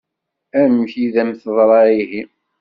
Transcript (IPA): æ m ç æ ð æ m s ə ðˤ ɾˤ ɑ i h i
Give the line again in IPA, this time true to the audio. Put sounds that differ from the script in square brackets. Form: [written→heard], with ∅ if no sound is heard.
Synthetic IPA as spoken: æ m ç [æ→i] ð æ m [s→θ] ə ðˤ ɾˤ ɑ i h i